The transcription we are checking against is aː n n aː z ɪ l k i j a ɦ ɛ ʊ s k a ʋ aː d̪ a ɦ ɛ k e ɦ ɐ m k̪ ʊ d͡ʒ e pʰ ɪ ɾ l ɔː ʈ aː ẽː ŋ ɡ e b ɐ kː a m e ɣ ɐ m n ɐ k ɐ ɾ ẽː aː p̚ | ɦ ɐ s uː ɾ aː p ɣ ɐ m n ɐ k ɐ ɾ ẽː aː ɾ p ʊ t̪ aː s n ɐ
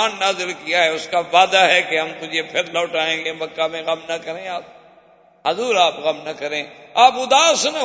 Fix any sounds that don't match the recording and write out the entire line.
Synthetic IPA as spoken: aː n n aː z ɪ l k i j a ɦ ɛ ʊ s k a ʋ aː d̪ a ɦ ɛ k e ɦ ɐ m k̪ ʊ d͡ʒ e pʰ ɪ ɾ l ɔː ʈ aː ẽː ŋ ɡ e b ɐ kː a m ẽ ɣ ɐ m n ɐ k ɐ ɾ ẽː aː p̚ | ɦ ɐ z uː ɾ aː p ɣ ɐ m n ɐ k ɐ ɾ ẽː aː p ʊ d̪ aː s n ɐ